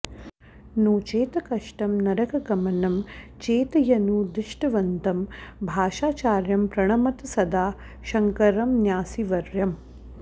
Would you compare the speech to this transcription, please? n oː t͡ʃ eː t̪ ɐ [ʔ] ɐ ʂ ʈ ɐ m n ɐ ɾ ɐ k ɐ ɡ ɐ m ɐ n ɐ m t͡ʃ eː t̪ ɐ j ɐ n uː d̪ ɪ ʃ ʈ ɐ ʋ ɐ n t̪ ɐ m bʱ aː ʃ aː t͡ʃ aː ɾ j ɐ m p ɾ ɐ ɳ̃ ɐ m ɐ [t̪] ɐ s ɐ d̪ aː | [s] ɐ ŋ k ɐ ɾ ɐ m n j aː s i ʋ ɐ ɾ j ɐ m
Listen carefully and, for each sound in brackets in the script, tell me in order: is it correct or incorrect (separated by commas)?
incorrect, correct, incorrect